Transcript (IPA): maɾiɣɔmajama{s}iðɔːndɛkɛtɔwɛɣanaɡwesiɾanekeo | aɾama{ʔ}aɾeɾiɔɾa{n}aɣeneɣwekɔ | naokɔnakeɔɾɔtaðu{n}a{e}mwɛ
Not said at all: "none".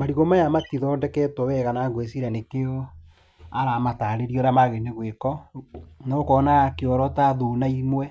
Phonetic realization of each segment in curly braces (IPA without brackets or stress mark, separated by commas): t, t, m, n, i